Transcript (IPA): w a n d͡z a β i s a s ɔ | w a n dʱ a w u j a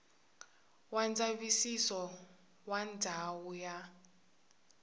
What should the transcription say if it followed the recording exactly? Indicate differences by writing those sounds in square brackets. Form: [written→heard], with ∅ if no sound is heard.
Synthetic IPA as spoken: w a n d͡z a β i s [a→i] s ɔ | w a n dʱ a w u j a